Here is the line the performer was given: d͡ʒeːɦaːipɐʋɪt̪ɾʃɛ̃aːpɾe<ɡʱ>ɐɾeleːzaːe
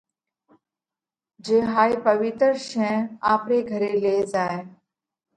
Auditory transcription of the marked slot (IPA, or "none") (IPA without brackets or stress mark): ɡʱ